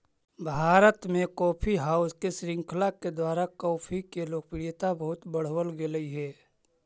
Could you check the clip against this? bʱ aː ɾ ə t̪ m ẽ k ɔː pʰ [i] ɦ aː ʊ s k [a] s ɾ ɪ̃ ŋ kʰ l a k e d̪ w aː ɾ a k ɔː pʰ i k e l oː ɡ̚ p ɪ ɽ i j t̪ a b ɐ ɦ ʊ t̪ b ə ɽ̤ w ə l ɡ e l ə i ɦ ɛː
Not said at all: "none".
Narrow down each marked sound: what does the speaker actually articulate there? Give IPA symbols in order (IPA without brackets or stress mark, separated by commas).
i, e